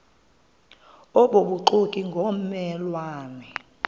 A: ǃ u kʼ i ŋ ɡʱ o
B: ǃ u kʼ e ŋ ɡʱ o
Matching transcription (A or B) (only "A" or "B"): A